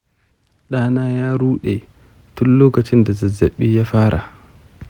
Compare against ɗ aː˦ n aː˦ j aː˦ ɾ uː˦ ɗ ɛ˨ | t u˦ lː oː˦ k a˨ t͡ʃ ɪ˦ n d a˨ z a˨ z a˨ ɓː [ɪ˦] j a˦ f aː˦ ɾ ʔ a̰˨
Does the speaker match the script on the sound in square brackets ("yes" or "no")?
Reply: no